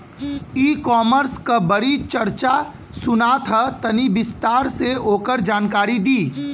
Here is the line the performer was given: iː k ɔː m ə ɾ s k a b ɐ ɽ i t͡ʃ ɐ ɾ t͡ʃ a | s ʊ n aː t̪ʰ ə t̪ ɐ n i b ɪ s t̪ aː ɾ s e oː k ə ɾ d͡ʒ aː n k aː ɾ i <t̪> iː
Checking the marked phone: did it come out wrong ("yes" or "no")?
yes